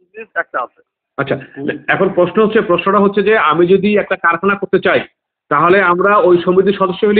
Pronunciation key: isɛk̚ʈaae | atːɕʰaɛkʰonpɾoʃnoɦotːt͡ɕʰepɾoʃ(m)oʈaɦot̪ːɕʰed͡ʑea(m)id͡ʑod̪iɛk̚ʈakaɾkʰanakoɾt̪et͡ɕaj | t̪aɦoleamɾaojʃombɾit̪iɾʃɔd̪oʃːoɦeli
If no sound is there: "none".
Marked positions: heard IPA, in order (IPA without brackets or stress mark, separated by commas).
n, m